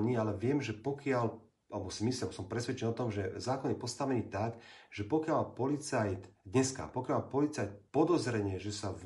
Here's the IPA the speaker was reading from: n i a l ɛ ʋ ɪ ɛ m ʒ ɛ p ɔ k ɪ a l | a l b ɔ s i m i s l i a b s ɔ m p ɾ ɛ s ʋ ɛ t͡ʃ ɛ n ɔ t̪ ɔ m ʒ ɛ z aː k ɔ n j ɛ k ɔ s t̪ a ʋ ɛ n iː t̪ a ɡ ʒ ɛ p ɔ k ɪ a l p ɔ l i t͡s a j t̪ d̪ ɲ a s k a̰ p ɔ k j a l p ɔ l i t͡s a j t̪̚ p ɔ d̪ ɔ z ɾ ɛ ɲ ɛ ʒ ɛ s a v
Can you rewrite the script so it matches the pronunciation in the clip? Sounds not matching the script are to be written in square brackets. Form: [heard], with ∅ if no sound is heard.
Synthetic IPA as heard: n i a l ɛ ʋ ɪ ɛ m ʒ ɛ p ɔ k ɪ a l | a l b ɔ s i m i s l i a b s ɔ m p ɾ ɛ s ʋ ɛ t͡ʃ ɛ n ɔ t̪ ɔ m ʒ ɛ z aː k ɔ n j ɛ [p] ɔ s t̪ a ʋ ɛ n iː t̪ a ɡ ʒ ɛ p ɔ k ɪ a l p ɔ l i t͡s a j t̪ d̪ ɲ [ɛ] s k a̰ p ɔ k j a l p ɔ l i t͡s a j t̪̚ p ɔ d̪ ɔ z ɾ ɛ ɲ ɛ ʒ ɛ s a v